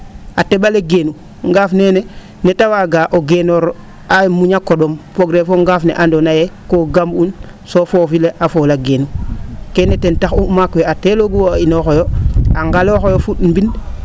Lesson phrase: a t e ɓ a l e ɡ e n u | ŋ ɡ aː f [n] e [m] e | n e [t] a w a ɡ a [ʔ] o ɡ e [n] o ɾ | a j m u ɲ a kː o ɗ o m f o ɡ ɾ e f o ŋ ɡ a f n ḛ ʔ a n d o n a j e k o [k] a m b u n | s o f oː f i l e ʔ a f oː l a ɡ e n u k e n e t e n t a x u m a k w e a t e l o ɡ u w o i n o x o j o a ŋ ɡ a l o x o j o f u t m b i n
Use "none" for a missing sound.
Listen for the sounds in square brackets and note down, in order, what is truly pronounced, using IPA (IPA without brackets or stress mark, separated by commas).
n, n, t, ʔ, n, ɡ